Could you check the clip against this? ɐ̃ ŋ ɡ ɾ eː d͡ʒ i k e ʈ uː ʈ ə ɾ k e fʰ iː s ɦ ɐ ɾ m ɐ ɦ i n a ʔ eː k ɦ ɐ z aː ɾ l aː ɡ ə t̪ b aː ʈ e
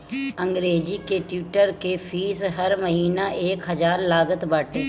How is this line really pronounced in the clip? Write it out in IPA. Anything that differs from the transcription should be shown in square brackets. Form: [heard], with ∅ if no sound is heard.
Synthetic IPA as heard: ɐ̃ ŋ ɡ ɾ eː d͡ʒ i k e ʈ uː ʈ ə ɾ k e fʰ iː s ɦ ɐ ɾ m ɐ ɦ [iː] n a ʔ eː k ɦ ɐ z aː ɾ l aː ɡ ə t̪ b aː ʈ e